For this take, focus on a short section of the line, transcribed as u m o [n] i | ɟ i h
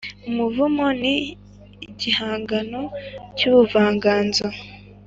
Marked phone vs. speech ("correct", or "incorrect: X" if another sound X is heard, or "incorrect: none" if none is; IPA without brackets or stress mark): correct